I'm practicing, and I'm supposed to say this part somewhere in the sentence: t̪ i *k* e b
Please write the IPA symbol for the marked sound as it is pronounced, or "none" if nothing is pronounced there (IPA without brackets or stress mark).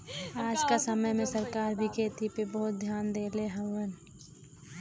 p